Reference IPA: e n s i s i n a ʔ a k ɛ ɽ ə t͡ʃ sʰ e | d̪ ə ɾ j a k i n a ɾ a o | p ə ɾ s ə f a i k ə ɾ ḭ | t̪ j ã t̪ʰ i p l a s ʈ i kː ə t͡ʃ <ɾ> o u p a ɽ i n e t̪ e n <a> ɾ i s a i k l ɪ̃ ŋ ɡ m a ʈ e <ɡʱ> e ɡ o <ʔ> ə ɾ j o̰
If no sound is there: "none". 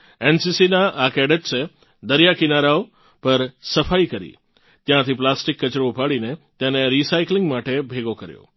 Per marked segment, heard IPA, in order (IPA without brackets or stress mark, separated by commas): ɾ, e, bʱ, k